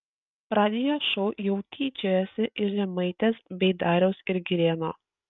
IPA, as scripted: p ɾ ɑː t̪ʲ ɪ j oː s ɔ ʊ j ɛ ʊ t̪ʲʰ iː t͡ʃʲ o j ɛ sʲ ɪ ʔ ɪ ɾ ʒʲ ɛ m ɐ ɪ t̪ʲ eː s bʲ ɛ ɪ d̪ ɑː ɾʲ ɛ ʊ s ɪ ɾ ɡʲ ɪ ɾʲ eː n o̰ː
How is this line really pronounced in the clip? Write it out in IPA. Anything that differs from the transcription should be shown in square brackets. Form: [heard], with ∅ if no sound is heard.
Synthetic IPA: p ɾ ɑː [d̪ʲ] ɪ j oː [ʃ] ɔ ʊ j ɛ ʊ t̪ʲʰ iː t͡ʃʲ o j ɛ sʲ ɪ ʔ ɪ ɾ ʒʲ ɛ m ɐ ɪ t̪ʲ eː s bʲ ɛ ɪ d̪ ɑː ɾʲ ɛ ʊ s ɪ ɾ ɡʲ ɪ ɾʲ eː n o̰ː